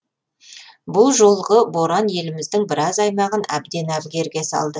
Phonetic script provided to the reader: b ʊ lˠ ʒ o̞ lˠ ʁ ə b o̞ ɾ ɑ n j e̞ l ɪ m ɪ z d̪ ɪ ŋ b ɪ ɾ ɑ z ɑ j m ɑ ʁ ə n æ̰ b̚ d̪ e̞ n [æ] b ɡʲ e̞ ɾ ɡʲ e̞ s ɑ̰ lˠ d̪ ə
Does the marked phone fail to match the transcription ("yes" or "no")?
no